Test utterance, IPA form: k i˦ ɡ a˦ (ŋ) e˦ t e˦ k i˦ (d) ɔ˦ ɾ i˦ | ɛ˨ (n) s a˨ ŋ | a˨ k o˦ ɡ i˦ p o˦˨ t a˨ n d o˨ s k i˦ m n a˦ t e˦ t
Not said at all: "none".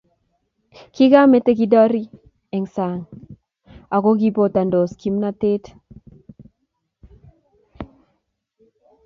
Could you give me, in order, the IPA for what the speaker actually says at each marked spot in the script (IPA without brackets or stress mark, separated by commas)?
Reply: m, d, ŋ